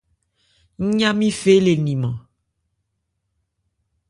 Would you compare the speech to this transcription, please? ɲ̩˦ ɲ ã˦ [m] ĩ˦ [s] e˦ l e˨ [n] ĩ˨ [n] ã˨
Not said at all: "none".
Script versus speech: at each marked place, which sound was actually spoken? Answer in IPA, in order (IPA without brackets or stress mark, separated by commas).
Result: m, f, n, m